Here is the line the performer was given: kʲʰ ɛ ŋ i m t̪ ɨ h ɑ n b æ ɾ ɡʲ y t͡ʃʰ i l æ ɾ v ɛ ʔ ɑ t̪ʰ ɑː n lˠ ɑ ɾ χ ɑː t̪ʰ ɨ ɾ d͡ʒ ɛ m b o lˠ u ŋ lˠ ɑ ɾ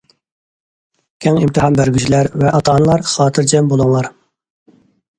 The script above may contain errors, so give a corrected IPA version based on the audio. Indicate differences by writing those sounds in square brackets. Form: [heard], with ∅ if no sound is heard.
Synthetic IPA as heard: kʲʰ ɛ ŋ i m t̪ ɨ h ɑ n b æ ɾ ɡʲ y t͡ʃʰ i l æ ɾ v ɛ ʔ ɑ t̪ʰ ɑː n lˠ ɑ ɾ χ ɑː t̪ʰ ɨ ɾ d͡ʒ ɛ m b o lˠ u ŋ lˠ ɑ ɾ